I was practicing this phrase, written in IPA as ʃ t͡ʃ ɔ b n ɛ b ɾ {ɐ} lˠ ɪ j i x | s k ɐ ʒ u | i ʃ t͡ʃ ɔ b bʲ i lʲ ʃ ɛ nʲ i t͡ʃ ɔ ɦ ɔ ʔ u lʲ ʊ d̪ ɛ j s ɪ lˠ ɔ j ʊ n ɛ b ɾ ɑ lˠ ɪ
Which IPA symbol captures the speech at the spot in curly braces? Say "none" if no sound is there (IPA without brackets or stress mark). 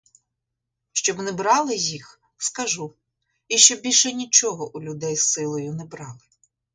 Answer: ɑ